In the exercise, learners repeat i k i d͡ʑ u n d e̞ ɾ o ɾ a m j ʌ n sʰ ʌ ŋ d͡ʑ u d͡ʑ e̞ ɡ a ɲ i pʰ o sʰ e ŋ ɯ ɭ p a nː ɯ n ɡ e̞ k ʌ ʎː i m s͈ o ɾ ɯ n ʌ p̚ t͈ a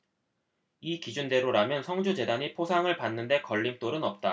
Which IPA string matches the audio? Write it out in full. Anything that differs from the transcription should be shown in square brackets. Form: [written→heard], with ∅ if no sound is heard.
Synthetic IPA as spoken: i k i d͡ʑ u n d e̞ ɾ o ɾ a m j ʌ n sʰ ʌ ŋ d͡ʑ u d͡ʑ e̞ [ɡ→d] a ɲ i pʰ o sʰ [e→a] ŋ ɯ ɭ p a nː ɯ n [ɡ→d] e̞ k ʌ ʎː i m [s͈→t͈] o ɾ ɯ n ʌ p̚ t͈ a